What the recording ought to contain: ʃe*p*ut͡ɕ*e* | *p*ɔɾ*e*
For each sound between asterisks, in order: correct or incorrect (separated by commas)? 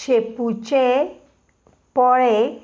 correct, correct, correct, correct